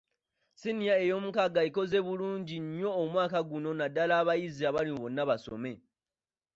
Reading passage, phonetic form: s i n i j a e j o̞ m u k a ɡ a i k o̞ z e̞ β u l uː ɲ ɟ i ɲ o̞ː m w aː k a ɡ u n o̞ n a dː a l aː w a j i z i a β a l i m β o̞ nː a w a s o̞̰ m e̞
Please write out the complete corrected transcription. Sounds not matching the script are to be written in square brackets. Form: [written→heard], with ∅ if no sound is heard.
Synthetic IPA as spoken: s i n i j a e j o̞ m u k a ɡ a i k o̞ z e̞ β u l uː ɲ ɟ i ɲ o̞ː m w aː k a ɡ u n o̞ n a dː a l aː [w→β] a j i z i a β a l i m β o̞ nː a [w→β] a s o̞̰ m e̞